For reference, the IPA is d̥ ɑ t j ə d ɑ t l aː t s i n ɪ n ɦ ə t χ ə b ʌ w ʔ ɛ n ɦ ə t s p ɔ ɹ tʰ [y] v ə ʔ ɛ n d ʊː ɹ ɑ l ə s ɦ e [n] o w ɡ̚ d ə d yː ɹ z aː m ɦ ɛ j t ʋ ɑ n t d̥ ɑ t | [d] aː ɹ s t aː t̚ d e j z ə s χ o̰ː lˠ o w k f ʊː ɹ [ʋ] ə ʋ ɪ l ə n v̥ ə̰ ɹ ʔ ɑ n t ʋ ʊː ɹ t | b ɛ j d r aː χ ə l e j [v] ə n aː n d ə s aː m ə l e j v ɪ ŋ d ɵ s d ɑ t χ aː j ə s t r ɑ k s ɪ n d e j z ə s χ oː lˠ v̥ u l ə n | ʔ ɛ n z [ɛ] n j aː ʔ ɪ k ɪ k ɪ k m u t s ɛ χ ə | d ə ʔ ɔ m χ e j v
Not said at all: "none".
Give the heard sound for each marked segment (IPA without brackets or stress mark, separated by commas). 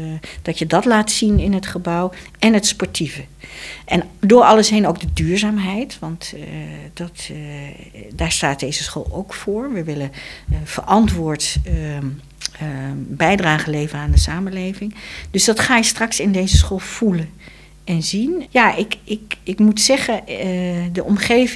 i, n, d, ʋ, v, i